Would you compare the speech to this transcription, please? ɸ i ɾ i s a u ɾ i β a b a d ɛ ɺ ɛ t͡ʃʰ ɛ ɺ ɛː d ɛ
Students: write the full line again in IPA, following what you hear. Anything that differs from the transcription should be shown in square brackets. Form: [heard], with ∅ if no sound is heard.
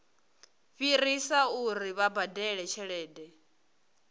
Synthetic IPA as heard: ɸ i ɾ i s a u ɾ i β a b a d ɛ ɺ ɛ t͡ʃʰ ɛ ɺ ɛː d ɛ